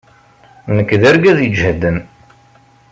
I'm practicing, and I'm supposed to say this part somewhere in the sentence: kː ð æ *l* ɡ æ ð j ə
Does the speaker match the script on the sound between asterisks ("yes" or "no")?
no